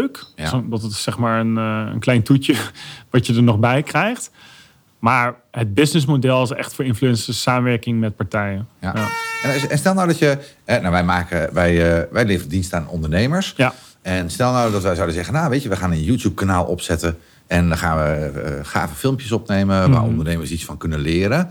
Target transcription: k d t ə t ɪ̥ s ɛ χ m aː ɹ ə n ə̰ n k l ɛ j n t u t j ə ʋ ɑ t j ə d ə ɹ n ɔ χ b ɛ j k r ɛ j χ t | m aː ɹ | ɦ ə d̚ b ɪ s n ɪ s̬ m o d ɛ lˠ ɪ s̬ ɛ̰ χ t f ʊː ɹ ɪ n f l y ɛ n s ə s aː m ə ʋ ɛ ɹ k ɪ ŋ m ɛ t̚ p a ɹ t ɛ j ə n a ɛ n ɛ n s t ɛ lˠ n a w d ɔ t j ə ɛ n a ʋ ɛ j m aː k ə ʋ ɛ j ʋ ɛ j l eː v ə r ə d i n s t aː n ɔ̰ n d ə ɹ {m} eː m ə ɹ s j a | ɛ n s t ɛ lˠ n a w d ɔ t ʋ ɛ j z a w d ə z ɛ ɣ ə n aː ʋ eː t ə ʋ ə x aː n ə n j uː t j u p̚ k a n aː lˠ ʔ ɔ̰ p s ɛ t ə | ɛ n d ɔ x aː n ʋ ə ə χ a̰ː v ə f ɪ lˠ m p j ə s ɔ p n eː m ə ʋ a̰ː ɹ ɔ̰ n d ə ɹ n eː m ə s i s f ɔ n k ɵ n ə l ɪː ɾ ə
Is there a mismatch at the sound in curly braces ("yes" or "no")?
yes